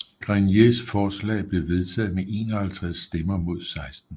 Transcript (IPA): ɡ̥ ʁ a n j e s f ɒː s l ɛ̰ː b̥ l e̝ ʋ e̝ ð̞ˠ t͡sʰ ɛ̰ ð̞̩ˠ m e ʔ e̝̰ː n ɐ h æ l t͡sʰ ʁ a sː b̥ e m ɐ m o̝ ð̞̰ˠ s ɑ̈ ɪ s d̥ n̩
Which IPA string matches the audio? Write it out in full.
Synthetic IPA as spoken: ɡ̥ ʁ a n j e s f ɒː s l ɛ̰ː b̥ l e̝ ʋ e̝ ð̞ˠ t͡sʰ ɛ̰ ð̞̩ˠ m e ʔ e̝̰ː n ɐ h æ l t͡sʰ ʁ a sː d̥ e m ɐ m o̝ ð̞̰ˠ s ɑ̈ ɪ s d̥ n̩